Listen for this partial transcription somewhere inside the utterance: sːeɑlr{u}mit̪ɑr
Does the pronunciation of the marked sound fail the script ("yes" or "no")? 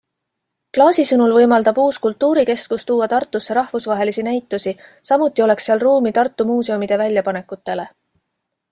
yes